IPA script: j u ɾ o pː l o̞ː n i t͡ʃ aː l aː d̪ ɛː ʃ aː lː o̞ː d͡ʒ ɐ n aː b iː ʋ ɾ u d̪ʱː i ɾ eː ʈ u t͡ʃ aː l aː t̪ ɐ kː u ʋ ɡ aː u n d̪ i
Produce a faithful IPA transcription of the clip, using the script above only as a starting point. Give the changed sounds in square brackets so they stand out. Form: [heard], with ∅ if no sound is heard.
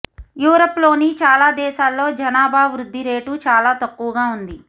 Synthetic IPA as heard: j [uː] ɾ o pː l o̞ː n i t͡ʃ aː l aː d̪ ɛː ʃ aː lː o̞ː d͡ʒ ɐ n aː b [aː] ʋ ɾ u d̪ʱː i ɾ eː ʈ u t͡ʃ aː l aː t̪ ɐ kː u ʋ ɡ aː u n d̪ i